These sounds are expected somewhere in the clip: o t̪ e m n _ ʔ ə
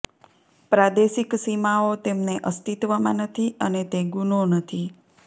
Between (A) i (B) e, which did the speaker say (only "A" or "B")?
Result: B